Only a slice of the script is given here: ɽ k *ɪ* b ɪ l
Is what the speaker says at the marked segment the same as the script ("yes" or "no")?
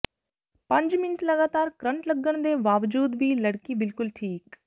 no